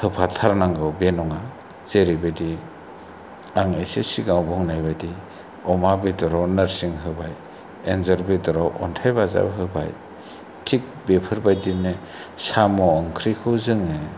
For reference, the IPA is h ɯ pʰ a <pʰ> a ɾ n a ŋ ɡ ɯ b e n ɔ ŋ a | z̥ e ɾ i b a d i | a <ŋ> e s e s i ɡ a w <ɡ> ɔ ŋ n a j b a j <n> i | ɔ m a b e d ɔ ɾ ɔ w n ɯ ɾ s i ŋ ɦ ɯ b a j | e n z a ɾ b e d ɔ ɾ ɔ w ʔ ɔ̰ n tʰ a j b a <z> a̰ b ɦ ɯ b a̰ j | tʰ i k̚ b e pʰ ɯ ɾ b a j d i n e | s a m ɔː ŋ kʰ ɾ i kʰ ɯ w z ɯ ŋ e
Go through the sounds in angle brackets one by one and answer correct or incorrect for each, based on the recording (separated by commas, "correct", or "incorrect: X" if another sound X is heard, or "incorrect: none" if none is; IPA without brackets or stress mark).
incorrect: tʰ, correct, incorrect: b, incorrect: d, correct